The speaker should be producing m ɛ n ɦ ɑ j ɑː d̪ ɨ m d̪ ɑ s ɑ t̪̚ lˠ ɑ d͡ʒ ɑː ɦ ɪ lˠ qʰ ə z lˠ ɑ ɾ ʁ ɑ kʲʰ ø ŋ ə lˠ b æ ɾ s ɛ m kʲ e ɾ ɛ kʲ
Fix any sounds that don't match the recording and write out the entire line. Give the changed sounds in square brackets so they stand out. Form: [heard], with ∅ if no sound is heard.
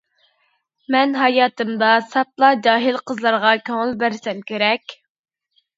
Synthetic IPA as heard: m ɛ n ɦ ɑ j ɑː [t̪] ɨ m d̪ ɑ s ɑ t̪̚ lˠ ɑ d͡ʒ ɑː ɦ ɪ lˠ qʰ ə z lˠ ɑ ɾ ʁ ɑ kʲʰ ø ŋ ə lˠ b æ ɾ s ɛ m kʲ e ɾ ɛ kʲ